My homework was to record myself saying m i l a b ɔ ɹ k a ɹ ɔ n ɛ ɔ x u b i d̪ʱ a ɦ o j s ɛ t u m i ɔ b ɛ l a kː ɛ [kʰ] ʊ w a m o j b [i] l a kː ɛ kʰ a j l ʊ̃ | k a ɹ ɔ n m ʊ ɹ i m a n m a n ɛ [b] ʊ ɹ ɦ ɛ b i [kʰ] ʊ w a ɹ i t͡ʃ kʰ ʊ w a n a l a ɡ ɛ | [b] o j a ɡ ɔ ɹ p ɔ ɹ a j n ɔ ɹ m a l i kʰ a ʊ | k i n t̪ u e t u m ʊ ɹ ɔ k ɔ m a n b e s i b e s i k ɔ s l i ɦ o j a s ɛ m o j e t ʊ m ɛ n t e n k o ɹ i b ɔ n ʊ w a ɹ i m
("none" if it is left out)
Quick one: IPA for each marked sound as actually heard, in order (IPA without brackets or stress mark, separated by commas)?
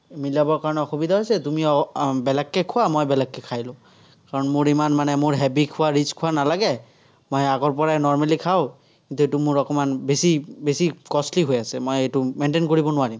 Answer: kʰ, ɛ, m, kʰ, m